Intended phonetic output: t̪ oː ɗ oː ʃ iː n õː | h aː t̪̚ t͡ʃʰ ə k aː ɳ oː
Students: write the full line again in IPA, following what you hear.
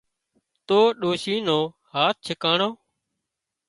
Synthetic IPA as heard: t̪ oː ɗ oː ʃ iː n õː | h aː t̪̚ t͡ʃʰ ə k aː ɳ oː